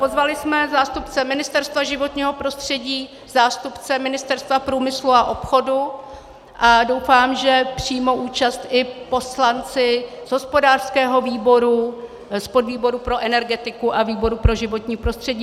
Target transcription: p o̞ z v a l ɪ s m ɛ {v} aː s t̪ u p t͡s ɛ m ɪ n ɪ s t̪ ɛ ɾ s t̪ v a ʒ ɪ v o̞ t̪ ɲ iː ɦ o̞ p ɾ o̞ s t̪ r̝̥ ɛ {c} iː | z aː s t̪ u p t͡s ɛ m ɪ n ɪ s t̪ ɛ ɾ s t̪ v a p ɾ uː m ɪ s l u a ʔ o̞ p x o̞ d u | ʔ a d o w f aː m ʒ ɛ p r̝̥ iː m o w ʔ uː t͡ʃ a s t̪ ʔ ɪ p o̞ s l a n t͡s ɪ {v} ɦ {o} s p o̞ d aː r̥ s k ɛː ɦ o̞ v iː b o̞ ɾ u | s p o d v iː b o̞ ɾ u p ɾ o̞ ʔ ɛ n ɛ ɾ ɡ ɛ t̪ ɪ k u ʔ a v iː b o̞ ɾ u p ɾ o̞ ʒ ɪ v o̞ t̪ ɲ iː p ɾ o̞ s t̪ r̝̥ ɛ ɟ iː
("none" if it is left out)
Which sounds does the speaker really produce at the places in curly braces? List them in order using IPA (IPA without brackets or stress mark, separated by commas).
z, ɟ, z, o